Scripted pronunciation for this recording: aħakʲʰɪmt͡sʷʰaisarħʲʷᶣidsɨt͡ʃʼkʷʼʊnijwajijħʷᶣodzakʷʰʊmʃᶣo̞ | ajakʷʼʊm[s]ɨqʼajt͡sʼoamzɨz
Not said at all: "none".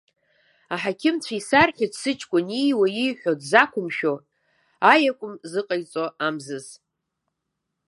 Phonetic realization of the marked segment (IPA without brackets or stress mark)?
z